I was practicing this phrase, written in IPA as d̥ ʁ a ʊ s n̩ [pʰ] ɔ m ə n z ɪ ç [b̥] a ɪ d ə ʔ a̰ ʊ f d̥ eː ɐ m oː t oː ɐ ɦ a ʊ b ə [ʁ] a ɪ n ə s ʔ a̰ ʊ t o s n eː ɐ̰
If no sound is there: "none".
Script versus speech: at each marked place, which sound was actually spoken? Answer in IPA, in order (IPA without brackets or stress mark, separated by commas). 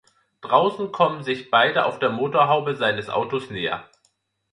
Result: kʰ, b̥, z